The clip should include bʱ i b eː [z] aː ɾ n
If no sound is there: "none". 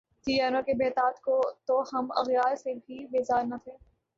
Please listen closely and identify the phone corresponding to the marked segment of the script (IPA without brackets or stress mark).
z